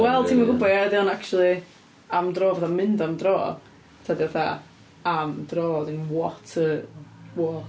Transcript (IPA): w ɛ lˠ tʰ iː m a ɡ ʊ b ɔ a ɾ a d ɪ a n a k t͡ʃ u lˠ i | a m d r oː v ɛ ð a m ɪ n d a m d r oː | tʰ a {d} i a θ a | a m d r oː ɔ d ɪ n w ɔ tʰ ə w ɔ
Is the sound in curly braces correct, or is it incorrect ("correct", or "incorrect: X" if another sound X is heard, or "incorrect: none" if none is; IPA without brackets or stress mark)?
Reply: correct